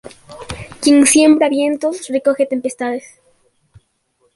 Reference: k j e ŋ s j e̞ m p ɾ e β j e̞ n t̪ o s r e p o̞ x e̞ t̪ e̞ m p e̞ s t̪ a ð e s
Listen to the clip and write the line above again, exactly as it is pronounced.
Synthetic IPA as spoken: k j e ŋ s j e̞ m b ɾ a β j e̞ n t̪ o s r e k o̞ x e̞ t̪ e̞ m p e̞ s t̪ a ð e s